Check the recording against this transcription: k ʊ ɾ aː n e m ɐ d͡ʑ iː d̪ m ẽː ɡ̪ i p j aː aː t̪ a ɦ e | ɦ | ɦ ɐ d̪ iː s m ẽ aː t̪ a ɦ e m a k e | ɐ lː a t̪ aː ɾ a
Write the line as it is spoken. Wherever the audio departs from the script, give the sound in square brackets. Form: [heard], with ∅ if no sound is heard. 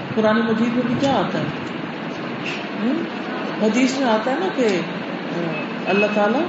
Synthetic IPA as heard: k ʊ ɾ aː n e m ɐ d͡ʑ iː d̪ m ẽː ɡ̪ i [k] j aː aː t̪ a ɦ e | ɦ | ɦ ɐ d̪ iː s m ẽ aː t̪ a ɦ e [n] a k e | ɐ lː a t̪ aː [l] a